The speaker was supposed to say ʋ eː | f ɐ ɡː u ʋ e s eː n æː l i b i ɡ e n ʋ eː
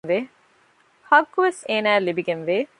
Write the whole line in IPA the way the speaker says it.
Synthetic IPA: ʋ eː | h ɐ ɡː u ʋ e s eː n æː l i b i ɡ e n ʋ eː